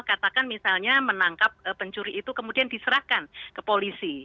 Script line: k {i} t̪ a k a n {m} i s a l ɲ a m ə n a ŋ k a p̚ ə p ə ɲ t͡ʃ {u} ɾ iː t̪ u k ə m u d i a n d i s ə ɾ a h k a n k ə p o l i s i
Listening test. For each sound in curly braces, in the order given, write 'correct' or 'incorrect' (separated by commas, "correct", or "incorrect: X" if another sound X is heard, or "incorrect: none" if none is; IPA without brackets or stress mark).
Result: incorrect: a, correct, correct